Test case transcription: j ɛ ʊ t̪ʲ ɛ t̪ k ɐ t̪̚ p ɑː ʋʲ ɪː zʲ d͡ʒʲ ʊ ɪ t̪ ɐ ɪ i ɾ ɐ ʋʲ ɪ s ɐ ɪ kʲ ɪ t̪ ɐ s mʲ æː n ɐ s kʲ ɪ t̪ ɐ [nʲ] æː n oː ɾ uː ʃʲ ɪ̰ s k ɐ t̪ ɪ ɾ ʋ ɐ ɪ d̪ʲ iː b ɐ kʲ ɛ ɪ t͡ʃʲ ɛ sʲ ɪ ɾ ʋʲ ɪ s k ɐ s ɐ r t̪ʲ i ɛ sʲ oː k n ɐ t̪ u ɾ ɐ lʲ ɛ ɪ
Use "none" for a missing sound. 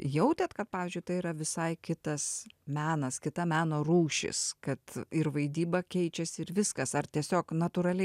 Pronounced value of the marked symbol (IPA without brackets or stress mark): mʲ